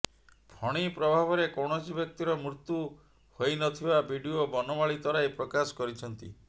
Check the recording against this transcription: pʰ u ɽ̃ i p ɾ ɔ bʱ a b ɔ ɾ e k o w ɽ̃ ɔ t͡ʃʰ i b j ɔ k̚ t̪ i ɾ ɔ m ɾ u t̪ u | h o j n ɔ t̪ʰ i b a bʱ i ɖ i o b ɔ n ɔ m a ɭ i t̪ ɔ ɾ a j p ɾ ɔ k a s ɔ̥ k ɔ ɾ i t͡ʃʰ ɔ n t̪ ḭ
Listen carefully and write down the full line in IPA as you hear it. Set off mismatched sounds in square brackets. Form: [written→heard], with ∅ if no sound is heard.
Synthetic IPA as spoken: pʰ [u→ɔ] ɽ̃ i p ɾ ɔ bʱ a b ɔ ɾ e k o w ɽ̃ ɔ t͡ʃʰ i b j ɔ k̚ t̪ i ɾ ɔ m ɾ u t̪ u | h o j n ɔ t̪ʰ i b a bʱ i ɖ i o b ɔ n ɔ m a ɭ i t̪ ɔ ɾ a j p ɾ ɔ k a s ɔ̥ k ɔ ɾ i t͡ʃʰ ɔ n t̪ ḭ